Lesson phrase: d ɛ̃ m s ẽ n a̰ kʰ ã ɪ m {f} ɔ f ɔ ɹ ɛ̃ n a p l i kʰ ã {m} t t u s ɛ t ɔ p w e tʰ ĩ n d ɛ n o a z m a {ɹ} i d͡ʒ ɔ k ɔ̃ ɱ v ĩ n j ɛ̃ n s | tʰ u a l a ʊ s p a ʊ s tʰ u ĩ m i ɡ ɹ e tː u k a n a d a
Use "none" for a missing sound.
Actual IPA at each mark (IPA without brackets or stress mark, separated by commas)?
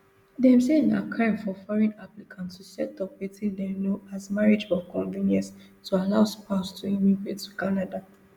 f, n, ɹ